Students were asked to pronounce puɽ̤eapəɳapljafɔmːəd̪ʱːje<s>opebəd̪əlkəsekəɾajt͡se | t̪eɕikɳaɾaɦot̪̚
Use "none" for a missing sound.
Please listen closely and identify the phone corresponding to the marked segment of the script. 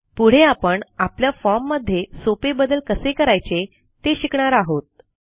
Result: s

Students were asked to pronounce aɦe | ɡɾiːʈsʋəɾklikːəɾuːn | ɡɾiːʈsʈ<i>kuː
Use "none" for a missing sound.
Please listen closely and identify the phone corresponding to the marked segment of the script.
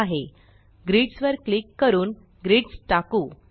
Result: a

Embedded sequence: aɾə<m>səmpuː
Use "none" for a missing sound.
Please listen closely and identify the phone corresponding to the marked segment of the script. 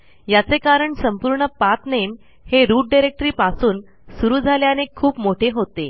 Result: ɳ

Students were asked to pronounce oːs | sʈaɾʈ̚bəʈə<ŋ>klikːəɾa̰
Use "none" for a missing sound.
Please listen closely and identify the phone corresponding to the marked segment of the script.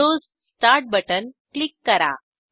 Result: n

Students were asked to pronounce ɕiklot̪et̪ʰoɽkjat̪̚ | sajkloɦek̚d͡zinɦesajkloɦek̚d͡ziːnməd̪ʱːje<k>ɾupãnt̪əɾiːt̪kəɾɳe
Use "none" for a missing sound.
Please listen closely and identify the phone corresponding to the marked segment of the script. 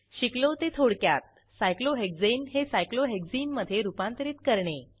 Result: none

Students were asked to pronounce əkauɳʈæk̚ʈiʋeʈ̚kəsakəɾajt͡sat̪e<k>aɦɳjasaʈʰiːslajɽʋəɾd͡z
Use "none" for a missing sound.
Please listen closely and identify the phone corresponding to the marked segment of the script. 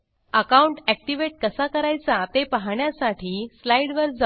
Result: p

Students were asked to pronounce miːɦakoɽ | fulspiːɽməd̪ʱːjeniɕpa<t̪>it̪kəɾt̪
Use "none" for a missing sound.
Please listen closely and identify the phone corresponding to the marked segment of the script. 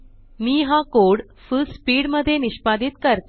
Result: d̪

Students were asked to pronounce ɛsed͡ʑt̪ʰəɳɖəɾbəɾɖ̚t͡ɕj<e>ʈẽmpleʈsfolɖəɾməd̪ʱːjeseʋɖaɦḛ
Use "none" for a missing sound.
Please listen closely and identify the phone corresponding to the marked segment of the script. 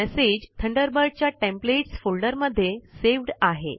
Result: a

